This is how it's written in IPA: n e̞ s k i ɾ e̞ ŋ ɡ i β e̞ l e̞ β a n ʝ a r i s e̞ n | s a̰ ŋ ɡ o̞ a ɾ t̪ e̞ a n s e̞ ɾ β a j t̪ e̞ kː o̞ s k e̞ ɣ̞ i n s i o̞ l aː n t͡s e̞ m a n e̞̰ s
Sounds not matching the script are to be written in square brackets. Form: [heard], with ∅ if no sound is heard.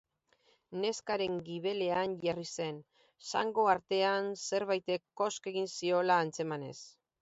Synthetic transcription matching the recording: n e̞ s k [a] ɾ e̞ ŋ ɡ i β e̞ l e̞ [∅] a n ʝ a r i s e̞ n | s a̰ ŋ ɡ o̞ a ɾ t̪ e̞ a n s e̞ ɾ β a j t̪ e̞ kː o̞ s k e̞ ɣ̞ i n s i o̞ l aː n t͡s e̞ m a n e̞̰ s